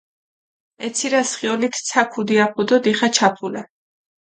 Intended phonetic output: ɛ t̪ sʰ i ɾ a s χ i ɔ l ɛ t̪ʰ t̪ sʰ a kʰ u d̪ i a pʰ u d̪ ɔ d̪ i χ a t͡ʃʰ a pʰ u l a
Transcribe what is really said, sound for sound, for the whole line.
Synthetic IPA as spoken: ɛ t̪ sʰ i ɾ a s χ i ɔ l i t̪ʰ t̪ sʰ a kʰ u d̪ i a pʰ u d̪ ɔ d̪ i χ a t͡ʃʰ a pʰ u l a